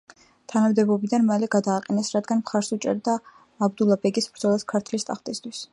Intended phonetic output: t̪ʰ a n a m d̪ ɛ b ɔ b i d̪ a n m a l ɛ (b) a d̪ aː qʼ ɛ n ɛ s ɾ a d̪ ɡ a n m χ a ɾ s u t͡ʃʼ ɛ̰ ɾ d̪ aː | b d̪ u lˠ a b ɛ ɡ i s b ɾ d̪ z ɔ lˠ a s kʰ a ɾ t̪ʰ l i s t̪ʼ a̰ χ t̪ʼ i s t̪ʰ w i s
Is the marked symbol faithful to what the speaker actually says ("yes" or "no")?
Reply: no